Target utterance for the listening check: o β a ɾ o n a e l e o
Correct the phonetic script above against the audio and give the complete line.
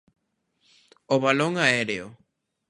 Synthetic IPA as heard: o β a l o ŋ a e ɾ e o